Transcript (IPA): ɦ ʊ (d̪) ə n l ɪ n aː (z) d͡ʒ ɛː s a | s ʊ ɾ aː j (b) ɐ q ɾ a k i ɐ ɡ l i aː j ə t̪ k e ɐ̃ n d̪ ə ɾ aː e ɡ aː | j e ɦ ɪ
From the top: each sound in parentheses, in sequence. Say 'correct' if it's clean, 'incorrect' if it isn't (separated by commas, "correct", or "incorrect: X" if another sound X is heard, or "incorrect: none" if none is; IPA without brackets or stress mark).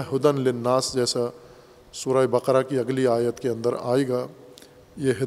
correct, incorrect: s, correct